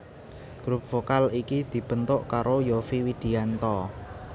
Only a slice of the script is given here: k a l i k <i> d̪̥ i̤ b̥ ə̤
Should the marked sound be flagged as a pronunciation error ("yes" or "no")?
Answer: no